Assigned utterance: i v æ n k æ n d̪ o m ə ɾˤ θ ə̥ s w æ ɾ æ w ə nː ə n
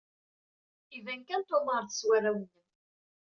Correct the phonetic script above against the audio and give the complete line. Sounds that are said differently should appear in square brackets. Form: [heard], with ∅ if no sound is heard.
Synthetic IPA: i v æ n k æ n [t̪] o m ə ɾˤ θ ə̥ s w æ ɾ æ w ə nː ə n